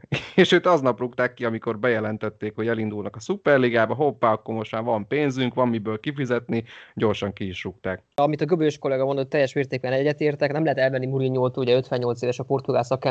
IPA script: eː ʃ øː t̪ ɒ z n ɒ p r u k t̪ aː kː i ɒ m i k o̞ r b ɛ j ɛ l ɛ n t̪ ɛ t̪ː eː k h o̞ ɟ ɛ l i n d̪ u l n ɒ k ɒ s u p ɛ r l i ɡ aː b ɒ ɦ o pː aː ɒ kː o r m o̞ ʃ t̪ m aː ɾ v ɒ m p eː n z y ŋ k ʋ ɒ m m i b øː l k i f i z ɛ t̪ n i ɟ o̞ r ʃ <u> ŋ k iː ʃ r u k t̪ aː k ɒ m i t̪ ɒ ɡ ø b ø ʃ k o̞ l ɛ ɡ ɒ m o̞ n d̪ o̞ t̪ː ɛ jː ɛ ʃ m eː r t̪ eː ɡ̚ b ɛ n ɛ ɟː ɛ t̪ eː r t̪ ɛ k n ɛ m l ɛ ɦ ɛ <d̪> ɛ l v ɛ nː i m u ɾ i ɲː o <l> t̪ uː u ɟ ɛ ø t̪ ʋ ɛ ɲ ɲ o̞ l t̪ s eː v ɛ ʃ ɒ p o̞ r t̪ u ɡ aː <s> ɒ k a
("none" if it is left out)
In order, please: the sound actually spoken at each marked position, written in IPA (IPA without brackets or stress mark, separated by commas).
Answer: ɒ, t̪, l, s